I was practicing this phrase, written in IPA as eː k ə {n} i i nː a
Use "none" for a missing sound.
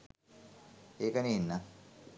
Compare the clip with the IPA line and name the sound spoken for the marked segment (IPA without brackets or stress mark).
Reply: n